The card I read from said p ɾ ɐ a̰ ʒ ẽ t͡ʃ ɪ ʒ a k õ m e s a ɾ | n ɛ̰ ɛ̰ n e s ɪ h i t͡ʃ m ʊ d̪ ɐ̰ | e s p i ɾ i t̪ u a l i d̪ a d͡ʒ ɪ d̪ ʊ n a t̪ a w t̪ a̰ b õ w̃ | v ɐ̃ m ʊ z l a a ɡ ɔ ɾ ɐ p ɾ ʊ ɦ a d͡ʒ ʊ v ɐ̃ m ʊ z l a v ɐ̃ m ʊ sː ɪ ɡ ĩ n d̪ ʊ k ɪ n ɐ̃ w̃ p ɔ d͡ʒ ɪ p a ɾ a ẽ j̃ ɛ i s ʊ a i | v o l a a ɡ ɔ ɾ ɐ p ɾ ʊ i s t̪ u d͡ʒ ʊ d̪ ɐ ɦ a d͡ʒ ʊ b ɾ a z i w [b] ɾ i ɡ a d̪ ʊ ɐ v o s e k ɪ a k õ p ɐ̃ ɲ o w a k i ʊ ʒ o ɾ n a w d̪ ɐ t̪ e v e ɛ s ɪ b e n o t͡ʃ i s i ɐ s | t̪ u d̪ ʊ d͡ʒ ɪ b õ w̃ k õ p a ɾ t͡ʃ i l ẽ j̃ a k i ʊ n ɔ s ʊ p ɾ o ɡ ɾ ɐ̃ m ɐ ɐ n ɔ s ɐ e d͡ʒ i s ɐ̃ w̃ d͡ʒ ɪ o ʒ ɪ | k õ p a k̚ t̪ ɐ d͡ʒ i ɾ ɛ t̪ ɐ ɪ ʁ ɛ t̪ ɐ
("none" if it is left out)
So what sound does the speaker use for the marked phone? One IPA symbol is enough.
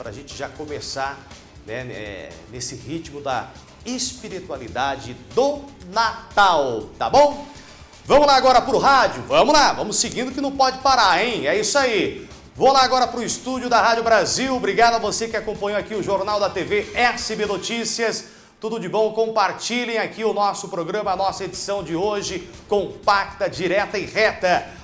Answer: b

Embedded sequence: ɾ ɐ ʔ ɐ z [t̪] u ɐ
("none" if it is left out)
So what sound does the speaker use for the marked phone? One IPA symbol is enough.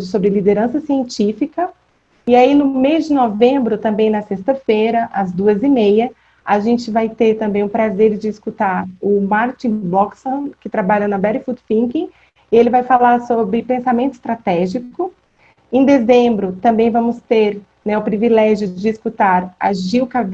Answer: d̪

